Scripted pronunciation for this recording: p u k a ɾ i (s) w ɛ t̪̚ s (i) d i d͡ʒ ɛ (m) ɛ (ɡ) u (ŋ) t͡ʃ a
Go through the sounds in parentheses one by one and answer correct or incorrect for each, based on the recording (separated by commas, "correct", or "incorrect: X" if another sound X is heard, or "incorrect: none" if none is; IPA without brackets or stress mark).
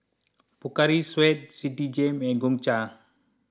correct, correct, correct, correct, correct